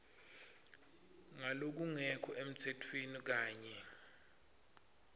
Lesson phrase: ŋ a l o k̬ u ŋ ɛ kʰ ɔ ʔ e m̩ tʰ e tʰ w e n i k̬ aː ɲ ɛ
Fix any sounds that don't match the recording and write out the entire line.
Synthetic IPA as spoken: ŋ a l o k̬ u ŋ ɛ kʰ ɔ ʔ e m̩ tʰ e tʰ w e n i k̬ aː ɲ ɛ